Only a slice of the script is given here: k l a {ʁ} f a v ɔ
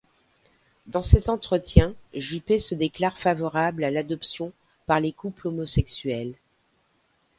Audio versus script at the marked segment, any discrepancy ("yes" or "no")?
no